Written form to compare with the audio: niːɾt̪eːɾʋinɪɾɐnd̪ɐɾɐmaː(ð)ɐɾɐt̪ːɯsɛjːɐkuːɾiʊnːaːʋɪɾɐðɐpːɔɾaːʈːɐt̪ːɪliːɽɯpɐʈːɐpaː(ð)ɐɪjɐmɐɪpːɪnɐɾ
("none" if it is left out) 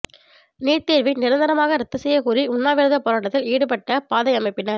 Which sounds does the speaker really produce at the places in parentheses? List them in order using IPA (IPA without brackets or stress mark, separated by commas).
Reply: ɣ, ð